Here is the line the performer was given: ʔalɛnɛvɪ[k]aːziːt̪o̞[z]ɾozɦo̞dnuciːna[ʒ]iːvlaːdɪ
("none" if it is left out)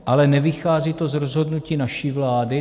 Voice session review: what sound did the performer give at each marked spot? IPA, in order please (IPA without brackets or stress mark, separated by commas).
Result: x, z, ʃ